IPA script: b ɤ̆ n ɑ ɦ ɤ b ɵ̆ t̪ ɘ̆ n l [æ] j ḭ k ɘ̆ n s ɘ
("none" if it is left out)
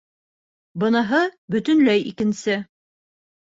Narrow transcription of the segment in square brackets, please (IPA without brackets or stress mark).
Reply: æ